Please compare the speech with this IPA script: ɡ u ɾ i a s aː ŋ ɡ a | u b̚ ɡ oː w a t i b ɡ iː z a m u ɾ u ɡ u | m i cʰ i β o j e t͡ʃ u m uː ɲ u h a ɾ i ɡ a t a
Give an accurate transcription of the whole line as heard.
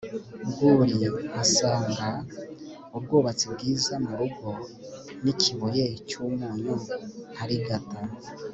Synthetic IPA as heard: ɡ u ɾ i a s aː ŋ ɡ a | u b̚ ɡ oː β a t͡s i b ɡ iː z a m u ɾ u ɡ o | n i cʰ i β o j e t͡ʃ u m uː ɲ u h a ɾ i ɡ a t a